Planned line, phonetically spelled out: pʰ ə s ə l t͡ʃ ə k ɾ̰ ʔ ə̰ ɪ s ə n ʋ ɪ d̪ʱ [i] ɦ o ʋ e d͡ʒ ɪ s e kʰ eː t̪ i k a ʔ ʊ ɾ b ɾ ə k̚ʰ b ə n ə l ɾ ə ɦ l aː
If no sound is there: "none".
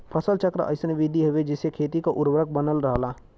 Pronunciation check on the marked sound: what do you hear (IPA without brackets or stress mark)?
i